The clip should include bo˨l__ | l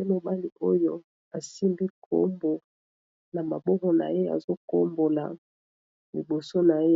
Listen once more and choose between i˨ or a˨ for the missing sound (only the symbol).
a˨